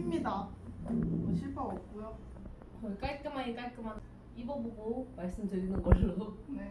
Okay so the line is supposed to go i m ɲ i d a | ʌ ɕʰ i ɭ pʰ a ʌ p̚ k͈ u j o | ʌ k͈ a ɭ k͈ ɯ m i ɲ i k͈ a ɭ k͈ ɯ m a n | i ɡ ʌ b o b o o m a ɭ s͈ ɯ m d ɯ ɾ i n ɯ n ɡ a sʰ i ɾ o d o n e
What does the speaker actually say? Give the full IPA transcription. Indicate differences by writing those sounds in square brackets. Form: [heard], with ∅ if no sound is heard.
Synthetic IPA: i m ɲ i d a | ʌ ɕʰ i ɭ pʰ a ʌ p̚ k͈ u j o | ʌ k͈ a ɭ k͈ ɯ m [a] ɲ i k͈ a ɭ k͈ ɯ m a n | i [b] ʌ b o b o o m a ɭ s͈ ɯ m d ɯ ɾ i n ɯ n ɡ [ʌ] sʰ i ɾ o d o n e

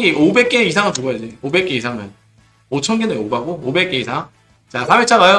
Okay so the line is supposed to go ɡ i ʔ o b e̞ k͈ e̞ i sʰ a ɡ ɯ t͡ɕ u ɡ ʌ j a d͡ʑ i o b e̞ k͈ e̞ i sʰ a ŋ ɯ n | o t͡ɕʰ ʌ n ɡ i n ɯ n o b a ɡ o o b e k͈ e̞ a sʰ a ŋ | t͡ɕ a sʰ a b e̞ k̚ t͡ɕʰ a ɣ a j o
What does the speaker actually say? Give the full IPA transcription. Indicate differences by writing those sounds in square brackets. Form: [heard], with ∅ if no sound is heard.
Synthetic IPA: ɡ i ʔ o b e̞ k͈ e̞ i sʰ a [ŋ] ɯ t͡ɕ u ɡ ʌ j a d͡ʑ i o b e̞ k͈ e̞ i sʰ a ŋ ɯ n | o t͡ɕʰ ʌ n ɡ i n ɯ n o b a ɡ o o b e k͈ e̞ [i] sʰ a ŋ | t͡ɕ a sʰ a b e̞ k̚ t͡ɕʰ a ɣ a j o

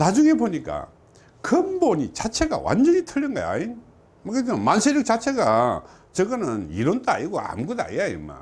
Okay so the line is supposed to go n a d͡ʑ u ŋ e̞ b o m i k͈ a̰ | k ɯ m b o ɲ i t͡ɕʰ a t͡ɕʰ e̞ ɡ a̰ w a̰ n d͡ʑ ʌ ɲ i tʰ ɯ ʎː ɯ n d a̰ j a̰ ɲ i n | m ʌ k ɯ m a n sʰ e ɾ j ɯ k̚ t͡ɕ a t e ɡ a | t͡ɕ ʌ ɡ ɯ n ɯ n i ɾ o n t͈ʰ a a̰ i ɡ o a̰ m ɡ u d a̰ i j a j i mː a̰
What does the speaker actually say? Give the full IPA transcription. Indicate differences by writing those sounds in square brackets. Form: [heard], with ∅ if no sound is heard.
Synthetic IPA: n a d͡ʑ u ŋ e̞ b o [ɲ] i k͈ a̰ | k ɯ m b o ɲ i [t͡ɕ] a t͡ɕʰ e̞ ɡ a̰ w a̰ n d͡ʑ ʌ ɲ i tʰ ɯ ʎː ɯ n [ɡ] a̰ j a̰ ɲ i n | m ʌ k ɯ m a n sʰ e ɾ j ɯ k̚ t͡ɕ a [t͡ɕʰ] e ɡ a | t͡ɕ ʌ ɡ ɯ n ɯ n i ɾ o n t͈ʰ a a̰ i ɡ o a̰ m ɡ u d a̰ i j a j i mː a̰

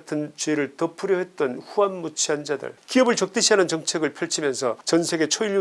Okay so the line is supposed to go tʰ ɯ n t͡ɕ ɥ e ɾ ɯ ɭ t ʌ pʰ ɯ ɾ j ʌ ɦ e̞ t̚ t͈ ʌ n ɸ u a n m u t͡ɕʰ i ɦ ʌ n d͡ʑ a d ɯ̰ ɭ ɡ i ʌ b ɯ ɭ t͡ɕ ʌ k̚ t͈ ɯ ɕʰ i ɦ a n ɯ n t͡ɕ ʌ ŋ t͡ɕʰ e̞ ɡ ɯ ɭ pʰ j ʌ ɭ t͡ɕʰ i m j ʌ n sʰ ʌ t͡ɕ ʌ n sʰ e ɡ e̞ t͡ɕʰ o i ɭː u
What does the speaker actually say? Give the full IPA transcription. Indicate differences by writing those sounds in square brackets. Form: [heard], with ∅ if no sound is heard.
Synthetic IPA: tʰ ɯ n t͡ɕ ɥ e ɾ ɯ ɭ t ʌ pʰ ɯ ɾ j ʌ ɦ e̞ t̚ t͈ ʌ n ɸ u a n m u t͡ɕʰ i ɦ [a] n d͡ʑ a d ɯ̰ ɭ [k] i ʌ b ɯ ɭ t͡ɕ ʌ k̚ t͈ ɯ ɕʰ i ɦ a n ɯ n t͡ɕ ʌ ŋ t͡ɕʰ e̞ ɡ ɯ ɭ pʰ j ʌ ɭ t͡ɕʰ i m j ʌ n sʰ ʌ t͡ɕ ʌ n sʰ e ɡ e̞ t͡ɕʰ o i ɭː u

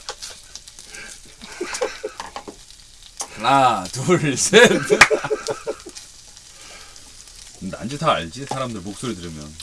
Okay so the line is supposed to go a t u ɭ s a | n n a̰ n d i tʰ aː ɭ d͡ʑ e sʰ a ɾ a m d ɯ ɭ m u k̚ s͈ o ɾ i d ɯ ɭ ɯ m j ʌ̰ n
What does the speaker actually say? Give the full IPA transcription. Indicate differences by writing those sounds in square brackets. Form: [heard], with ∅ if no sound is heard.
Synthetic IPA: a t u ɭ s [e] | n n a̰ n [d͡ʑ] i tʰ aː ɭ d͡ʑ [i] sʰ a ɾ a m d ɯ ɭ m [o] k̚ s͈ o ɾ i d ɯ [ɾ] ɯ m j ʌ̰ n

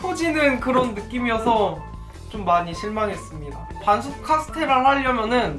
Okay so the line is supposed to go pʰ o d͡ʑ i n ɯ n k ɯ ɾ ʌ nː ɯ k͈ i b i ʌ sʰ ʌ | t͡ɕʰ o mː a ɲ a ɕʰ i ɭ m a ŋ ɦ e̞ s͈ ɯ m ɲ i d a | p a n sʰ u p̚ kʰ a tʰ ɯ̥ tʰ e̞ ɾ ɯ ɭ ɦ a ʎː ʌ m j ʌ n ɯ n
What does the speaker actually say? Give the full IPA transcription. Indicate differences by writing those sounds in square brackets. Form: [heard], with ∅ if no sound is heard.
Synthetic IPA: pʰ o d͡ʑ i n ɯ n k ɯ ɾ ʌ nː ɯ k͈ i [m] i ʌ sʰ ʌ | [t͡ɕ] o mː a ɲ [i] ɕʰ i ɭ m a ŋ ɦ e̞ s͈ ɯ m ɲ i d a | p a n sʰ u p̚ kʰ a [sʰ] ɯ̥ tʰ e̞ ɾ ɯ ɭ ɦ a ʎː ʌ m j ʌ n ɯ n

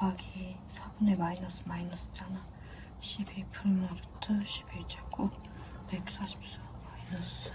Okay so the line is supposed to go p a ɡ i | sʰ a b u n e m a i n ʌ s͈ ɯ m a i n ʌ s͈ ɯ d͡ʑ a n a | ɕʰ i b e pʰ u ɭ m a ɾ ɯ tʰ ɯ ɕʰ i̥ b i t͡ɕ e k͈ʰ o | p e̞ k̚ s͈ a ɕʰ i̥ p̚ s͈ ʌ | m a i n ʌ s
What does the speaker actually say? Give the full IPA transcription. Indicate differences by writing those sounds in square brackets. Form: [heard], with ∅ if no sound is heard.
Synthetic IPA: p a ɡ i | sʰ a b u n e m a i n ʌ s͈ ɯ m a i n ʌ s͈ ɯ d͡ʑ a n a | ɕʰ i b e pʰ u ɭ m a ɾ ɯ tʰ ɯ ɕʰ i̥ b [e] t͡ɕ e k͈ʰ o | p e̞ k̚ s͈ a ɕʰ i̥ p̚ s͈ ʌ | m a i n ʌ s

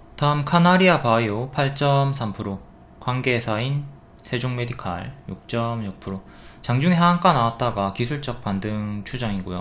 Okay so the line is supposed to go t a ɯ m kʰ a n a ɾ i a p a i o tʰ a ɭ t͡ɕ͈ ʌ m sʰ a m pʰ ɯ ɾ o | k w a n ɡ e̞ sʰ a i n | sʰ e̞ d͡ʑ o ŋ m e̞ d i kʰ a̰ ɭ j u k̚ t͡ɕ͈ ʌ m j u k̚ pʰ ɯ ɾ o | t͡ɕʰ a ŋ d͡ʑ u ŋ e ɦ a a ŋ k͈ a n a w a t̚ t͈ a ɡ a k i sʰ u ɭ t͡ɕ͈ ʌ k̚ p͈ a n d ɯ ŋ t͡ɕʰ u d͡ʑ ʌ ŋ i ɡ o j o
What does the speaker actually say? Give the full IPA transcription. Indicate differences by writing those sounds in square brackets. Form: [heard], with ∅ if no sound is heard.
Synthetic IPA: t a ɯ m kʰ a n a ɾ i a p a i o [pʰ] a ɭ t͡ɕ͈ ʌ m sʰ a m pʰ ɯ ɾ o | k w a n ɡ e̞ sʰ a i n | sʰ e̞ d͡ʑ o ŋ m e̞ d i kʰ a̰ ɭ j u k̚ t͡ɕ͈ ʌ m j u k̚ pʰ ɯ ɾ o | [t͡ɕ] a ŋ d͡ʑ u ŋ e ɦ a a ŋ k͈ a n a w a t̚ t͈ a ɡ a k i sʰ u ɭ t͡ɕ͈ ʌ k̚ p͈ a n d ɯ ŋ t͡ɕʰ u d͡ʑ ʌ ŋ i ɡ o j o

